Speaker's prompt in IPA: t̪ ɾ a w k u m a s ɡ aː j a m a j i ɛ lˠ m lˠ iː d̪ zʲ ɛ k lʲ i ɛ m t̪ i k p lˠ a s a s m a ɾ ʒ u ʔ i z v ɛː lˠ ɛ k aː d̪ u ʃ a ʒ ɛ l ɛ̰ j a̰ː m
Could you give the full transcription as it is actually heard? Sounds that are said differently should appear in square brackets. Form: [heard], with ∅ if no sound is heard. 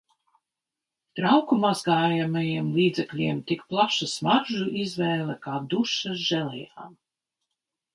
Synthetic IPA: t̪ ɾ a w k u m a [z] ɡ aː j a m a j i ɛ [∅] m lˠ iː d̪ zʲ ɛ k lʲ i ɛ m t̪ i k p lˠ a [ʃ] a s m a ɾ ʒ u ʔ i z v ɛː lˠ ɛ k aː d̪ u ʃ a ʒ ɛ l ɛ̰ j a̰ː m